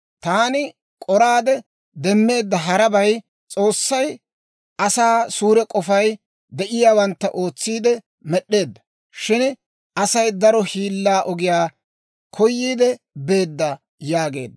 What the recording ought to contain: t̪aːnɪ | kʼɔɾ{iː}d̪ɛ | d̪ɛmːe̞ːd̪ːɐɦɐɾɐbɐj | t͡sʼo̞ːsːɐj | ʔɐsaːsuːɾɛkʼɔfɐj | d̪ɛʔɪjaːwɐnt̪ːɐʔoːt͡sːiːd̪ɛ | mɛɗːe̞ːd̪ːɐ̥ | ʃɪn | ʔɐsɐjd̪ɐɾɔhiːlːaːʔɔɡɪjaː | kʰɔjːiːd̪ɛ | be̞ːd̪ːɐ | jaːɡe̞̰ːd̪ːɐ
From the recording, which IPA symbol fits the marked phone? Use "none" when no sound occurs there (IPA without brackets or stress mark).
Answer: aː